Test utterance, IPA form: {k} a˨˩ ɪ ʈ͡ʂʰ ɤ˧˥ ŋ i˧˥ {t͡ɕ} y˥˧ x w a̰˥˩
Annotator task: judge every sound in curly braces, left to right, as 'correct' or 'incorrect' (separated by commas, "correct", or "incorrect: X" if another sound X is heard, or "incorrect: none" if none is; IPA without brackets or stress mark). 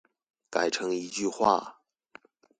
correct, correct